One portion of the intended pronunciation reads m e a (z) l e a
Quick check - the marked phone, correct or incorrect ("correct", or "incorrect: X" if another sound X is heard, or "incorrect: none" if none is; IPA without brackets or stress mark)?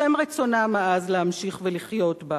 correct